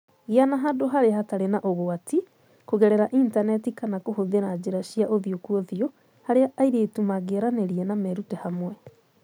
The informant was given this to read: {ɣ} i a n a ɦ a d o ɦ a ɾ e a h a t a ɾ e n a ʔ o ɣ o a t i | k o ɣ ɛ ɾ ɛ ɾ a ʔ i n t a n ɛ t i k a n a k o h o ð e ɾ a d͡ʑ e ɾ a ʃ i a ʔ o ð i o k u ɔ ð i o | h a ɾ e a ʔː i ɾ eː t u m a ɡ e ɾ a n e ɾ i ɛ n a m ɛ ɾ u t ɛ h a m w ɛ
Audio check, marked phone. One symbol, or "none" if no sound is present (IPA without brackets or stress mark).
ɣ